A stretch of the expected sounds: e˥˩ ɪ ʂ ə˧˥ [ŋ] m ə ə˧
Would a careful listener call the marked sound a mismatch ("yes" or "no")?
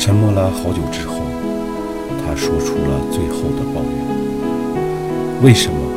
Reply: yes